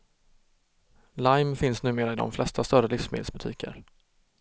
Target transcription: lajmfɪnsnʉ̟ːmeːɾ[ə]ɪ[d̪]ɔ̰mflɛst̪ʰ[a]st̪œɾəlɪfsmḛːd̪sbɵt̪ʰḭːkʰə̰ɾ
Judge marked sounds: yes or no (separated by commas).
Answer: no, yes, yes